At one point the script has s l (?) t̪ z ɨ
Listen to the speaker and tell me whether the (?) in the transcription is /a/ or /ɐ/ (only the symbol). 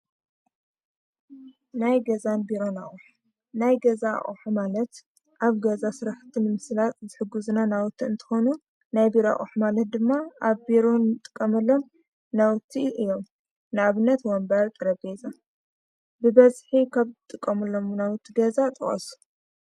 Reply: a